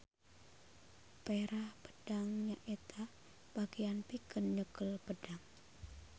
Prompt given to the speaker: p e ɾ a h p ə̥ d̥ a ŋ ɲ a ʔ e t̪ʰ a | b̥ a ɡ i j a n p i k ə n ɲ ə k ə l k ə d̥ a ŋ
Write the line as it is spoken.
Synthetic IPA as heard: p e ɾ a h p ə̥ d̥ a ŋ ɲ a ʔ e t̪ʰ a | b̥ a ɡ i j a n p i k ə n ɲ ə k ə l p ə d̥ a ŋ